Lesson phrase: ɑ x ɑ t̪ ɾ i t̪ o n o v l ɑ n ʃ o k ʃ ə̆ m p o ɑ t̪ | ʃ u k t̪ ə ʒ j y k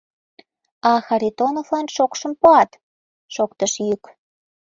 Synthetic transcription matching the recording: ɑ x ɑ ɾ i t̪ o n o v l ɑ n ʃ o k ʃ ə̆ m p o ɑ t̪ | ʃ o k t̪ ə ʃ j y k

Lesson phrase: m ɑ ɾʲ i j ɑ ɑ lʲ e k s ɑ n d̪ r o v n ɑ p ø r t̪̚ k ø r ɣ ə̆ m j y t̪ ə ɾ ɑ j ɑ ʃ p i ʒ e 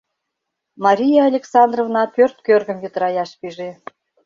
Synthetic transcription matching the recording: m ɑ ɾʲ i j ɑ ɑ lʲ e k s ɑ n d̪ r o v n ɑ p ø r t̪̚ k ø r ɣ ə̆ m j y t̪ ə ɾ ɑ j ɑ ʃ p i ʒ e

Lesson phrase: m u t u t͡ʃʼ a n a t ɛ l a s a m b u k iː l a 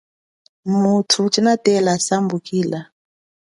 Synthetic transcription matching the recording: m u tʰ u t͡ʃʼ i n a t ɛ l a s a m b u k iː l a

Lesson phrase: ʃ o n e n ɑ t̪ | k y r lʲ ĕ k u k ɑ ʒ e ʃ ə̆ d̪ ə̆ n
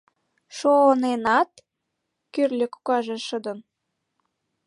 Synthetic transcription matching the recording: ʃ o n e n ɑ t̪ | k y r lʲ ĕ k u k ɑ ʒ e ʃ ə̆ d̪ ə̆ n

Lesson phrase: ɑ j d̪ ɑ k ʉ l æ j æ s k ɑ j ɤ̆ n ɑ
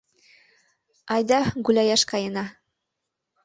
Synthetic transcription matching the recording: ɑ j d̪ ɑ ɡ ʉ l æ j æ ʃ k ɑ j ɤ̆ n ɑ

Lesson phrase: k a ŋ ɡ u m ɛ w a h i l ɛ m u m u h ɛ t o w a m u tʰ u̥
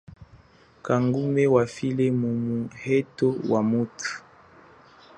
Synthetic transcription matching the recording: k a ŋ ɡ u m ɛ w a f i l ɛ m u m u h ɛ t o w a m u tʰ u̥

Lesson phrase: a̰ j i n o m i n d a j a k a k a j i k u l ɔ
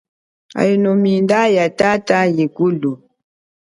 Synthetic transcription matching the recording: a̰ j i n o m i n d a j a t a t a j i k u l u

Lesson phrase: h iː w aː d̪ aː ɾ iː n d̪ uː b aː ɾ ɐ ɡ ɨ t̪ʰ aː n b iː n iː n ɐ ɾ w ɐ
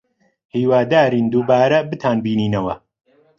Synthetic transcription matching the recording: h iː w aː d̪ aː ɾ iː n d̪ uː b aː ɾ ɐ b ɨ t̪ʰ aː n b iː n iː n ɐ w ɐ

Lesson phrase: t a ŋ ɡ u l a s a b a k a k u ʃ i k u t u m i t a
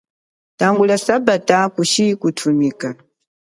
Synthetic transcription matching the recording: t a ŋ ɡ u l a s a b a t a k u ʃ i k u tʰ u m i k a

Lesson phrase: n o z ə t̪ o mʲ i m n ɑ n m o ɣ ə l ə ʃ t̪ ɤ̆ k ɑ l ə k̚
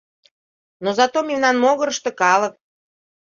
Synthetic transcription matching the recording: n o z ɑ t̪ o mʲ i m n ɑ n m o ɣ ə ɾ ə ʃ t̪ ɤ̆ k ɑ l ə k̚

